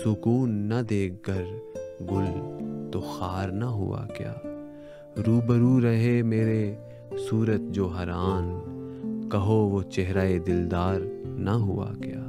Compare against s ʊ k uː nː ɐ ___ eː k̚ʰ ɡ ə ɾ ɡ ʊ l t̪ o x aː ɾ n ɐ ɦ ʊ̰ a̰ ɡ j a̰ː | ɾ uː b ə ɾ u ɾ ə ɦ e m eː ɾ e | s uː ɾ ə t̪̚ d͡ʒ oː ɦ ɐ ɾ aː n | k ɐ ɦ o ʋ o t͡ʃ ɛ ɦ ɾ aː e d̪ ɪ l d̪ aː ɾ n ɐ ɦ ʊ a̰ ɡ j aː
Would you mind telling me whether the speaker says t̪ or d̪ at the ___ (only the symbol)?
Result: d̪